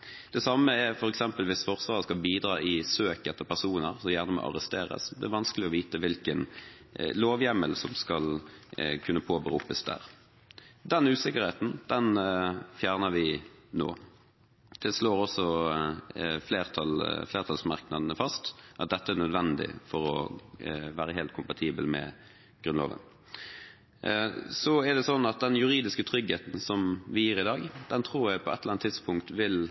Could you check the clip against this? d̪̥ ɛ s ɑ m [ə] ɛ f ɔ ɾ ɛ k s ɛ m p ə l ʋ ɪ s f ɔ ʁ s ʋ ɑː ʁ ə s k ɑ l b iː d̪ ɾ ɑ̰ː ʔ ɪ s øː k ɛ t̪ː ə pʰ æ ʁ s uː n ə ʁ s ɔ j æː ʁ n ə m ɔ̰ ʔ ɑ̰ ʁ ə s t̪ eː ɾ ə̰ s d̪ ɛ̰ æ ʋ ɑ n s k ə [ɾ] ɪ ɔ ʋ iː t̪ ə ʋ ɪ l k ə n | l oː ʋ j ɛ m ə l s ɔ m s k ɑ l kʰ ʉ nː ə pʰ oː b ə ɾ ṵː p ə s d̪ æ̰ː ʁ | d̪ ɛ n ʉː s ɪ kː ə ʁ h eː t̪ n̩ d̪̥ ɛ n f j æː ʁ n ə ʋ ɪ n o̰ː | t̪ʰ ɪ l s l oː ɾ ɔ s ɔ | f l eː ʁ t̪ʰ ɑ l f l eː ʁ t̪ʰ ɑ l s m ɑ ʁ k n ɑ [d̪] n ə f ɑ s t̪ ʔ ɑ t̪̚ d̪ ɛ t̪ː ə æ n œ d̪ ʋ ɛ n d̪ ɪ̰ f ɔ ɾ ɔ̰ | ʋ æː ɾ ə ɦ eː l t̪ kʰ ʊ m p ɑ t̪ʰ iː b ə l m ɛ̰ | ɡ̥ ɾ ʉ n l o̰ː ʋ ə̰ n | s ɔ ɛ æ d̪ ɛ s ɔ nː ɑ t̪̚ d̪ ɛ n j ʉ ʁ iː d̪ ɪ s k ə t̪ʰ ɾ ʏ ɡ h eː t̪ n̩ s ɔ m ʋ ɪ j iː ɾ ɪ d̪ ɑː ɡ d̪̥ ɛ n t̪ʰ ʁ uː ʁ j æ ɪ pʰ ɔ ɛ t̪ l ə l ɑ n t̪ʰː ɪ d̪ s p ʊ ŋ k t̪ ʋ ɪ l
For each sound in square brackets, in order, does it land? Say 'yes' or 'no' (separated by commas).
yes, no, yes